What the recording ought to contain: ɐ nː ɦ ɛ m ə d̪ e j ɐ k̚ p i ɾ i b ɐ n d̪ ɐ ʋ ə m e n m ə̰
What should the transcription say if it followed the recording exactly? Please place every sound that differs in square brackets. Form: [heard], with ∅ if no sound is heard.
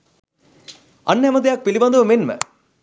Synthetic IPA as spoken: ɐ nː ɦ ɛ m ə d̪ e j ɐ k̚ p i [l] i b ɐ n d̪ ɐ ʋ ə m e n m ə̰